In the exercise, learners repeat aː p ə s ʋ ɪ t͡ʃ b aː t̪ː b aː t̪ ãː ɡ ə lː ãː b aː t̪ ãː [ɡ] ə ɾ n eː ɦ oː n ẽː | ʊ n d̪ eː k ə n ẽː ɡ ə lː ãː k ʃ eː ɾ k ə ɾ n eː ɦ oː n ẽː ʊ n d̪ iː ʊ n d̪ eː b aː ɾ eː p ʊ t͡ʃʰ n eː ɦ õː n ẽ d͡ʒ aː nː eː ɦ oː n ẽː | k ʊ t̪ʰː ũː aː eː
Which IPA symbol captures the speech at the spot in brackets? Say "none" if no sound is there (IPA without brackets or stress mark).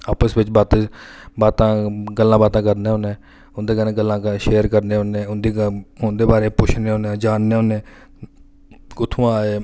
k